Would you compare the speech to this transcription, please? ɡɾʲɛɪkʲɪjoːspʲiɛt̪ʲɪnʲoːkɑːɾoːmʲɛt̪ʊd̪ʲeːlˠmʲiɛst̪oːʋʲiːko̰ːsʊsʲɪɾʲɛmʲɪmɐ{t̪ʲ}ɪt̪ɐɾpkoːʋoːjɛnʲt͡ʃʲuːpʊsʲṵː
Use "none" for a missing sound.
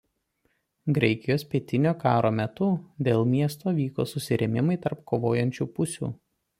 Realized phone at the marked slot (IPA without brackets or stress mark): none